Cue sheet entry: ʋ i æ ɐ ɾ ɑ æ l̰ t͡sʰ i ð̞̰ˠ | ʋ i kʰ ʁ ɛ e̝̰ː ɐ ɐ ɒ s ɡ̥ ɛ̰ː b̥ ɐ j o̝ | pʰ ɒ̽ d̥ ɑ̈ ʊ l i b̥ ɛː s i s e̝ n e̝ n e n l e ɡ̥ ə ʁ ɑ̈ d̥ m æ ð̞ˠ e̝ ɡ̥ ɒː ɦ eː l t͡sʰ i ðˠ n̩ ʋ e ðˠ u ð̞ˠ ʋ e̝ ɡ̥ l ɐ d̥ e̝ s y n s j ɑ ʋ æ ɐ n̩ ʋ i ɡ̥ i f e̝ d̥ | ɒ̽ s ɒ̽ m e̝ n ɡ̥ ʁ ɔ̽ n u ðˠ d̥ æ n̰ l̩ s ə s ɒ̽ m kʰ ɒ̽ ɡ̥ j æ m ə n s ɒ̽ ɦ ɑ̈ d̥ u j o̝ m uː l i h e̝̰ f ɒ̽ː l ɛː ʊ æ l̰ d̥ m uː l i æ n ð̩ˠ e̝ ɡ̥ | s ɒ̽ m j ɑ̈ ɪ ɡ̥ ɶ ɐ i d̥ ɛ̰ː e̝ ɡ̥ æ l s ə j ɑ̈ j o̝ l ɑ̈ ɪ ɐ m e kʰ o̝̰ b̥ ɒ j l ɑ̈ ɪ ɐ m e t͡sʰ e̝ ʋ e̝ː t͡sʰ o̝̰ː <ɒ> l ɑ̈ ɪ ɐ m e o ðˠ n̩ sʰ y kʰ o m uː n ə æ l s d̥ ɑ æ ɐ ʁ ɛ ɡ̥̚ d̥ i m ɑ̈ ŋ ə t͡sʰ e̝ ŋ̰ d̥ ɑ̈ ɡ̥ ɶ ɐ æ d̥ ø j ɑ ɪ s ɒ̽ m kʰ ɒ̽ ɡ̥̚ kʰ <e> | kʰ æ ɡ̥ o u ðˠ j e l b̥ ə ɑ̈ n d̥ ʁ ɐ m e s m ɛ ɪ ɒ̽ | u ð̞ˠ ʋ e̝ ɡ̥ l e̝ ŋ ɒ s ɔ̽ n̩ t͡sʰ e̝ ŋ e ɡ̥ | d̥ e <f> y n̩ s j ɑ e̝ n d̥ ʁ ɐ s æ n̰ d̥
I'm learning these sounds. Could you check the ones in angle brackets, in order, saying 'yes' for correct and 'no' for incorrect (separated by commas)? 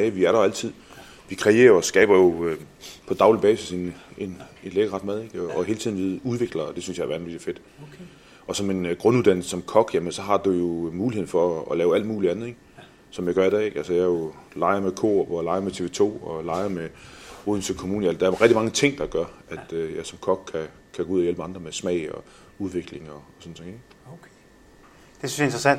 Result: yes, no, no